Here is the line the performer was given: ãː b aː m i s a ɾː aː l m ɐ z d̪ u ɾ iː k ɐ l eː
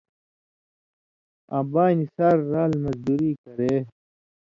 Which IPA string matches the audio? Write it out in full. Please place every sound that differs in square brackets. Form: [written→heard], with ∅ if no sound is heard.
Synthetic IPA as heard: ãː b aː [m→n] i s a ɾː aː l m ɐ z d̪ u ɾ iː k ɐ [l→ɾ] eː